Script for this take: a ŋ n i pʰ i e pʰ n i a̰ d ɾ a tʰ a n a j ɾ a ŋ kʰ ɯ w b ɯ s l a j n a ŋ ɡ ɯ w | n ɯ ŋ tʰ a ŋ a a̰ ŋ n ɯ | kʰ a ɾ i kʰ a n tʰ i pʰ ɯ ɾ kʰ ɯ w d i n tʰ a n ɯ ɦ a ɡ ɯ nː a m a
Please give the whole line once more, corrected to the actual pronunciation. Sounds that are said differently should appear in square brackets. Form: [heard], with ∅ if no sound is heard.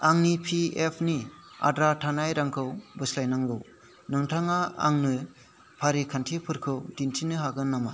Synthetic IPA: a ŋ n i pʰ i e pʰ n i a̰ d ɾ a tʰ a n a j ɾ a ŋ kʰ ɯ w b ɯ s l a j n a ŋ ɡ ɯ w | n ɯ ŋ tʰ a ŋ a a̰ ŋ n ɯ | [pʰ] a ɾ i kʰ a n tʰ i pʰ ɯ ɾ kʰ ɯ w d i n tʰ [i] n ɯ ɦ a ɡ ɯ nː a m a

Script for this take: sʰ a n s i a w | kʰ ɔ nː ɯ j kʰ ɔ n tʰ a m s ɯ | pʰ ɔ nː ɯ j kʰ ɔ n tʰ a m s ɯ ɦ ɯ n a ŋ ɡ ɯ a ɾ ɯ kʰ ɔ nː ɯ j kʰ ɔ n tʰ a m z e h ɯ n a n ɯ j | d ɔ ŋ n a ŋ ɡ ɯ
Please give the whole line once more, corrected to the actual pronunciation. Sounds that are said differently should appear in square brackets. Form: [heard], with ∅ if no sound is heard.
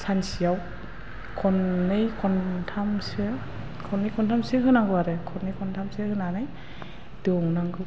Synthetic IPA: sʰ a n s i a w | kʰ ɔ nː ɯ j kʰ ɔ n tʰ a m s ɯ | [kʰ] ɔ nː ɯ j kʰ ɔ n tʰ a m s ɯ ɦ ɯ n a ŋ ɡ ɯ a ɾ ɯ kʰ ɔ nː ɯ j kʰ ɔ n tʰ a m [s] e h ɯ n a n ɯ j | d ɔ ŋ n a ŋ ɡ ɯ

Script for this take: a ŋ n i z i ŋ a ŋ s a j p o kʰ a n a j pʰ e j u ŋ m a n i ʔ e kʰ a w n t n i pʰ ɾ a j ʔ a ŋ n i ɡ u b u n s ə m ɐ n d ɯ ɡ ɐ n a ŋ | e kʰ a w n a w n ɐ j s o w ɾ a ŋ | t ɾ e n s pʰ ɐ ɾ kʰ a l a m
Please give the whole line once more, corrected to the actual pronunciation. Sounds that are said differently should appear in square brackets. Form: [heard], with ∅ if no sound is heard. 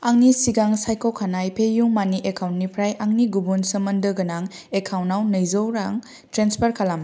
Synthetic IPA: a ŋ n i [s] i [ɡ] a ŋ s a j [k] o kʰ a n a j pʰ e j u ŋ m a n i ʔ e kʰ a w n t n i pʰ ɾ a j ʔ a ŋ n i ɡ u b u n s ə m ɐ n d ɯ ɡ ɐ n a ŋ | e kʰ a w n a w n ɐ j [z] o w ɾ a ŋ | t ɾ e n s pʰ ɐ ɾ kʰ a l a m

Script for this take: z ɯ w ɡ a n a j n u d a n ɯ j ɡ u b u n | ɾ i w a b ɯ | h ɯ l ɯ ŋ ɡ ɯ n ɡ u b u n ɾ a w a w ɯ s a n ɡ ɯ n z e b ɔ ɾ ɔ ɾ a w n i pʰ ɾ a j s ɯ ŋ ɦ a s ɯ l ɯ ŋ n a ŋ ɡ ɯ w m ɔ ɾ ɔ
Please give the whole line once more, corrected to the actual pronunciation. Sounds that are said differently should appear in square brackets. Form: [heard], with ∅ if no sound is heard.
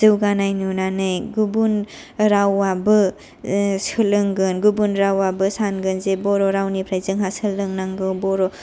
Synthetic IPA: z ɯ w ɡ a n a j n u [n] a n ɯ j ɡ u b u n | ɾ [a] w a b ɯ | [s] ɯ l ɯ ŋ ɡ ɯ n ɡ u b u n ɾ a w a [b] ɯ s a n ɡ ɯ n z e b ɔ ɾ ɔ ɾ a w n i pʰ ɾ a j [z] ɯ ŋ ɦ a s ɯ l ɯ ŋ n a ŋ ɡ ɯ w [b] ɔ ɾ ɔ

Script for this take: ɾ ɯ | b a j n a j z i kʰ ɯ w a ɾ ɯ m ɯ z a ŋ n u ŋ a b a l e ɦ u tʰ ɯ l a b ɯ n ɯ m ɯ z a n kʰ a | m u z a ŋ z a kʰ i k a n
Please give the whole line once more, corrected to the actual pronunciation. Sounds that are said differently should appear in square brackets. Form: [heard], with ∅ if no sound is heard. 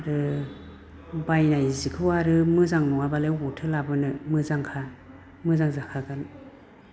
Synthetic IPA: ɾ ɯ | b a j n a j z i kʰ ɯ w a ɾ ɯ m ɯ z a ŋ n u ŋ a b a l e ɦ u tʰ ɯ l a b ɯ n ɯ m ɯ z a [ŋ] kʰ a | m [ɯ] z a ŋ z a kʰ [a] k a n

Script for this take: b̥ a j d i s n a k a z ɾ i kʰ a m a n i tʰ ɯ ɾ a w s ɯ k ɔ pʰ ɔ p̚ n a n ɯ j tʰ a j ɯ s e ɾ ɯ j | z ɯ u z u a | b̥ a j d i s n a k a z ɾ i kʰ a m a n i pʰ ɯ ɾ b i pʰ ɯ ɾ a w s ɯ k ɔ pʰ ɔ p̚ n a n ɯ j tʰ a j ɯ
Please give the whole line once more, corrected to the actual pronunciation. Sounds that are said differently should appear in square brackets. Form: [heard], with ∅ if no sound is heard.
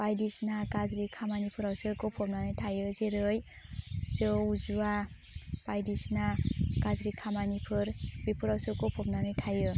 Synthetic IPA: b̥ a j d i s n a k a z ɾ i kʰ a m a n i [pʰ] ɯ ɾ a w s ɯ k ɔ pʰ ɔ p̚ n a n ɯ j tʰ a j ɯ [z] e ɾ ɯ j | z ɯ u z u a | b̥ a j d i s n a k a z ɾ i kʰ a m a n i pʰ ɯ ɾ b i pʰ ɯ ɾ a w s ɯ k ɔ pʰ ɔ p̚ n a n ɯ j tʰ a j ɯ

